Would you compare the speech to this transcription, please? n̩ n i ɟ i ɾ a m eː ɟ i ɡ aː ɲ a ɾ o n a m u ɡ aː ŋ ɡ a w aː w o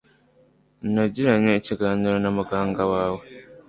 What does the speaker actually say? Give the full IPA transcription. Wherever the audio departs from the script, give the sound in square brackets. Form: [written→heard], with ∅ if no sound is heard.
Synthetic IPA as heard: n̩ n [i→a] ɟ i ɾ a [m→ɲ] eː [ɟ→c] i ɡ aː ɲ [a→i] ɾ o n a m u ɡ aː ŋ ɡ a w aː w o